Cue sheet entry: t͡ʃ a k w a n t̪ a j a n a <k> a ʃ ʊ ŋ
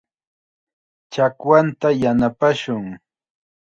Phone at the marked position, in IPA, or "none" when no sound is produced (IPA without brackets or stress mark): p